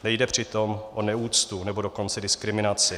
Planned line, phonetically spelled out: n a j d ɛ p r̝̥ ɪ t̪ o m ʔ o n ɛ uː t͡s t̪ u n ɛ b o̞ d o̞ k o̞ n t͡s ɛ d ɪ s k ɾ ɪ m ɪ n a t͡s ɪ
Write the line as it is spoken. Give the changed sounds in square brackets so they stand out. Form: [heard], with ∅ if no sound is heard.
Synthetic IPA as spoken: n [ɛ] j d ɛ p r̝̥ ɪ t̪ o m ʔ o n ɛ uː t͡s t̪ u n ɛ b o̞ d o̞ k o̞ n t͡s ɛ d ɪ s k ɾ ɪ m ɪ n a t͡s ɪ